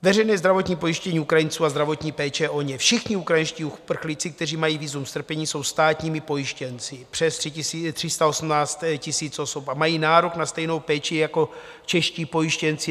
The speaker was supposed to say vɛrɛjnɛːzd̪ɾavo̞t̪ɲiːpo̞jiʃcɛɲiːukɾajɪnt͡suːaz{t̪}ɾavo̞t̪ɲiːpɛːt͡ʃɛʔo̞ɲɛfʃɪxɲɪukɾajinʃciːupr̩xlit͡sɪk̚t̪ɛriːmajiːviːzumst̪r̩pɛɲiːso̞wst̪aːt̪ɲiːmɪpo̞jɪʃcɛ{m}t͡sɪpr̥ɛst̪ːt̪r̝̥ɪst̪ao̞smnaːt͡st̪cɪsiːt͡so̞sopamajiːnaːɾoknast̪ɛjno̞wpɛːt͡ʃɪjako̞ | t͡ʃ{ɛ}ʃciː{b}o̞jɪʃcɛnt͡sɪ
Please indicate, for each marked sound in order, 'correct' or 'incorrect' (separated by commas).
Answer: incorrect, incorrect, correct, incorrect